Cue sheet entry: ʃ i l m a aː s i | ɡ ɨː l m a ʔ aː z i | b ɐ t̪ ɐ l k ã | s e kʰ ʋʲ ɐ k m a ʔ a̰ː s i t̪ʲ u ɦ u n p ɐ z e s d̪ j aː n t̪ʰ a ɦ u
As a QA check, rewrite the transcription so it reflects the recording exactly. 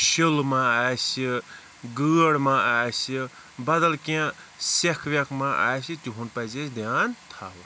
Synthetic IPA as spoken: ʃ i l m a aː s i | ɡ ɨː ɽ m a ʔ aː s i | b ɐ d̪ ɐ l k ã | s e kʰ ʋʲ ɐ k m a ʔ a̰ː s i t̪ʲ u ɦ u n p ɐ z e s d̪ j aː n t̪ʰ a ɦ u